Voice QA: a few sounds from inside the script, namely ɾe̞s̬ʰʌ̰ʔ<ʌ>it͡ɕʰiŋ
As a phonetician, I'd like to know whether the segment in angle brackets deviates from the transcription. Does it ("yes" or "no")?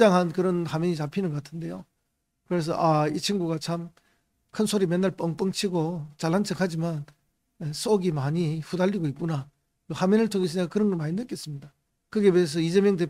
yes